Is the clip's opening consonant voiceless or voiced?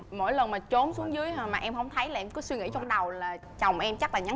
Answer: voiced